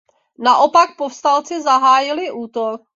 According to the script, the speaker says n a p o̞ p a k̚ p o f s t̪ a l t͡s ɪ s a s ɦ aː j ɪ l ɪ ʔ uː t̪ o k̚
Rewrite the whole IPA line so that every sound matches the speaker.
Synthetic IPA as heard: n a ʔ o̞ p a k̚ p o f s t̪ a l t͡s ɪ z a ɦ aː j ɪ l ɪ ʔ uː t̪ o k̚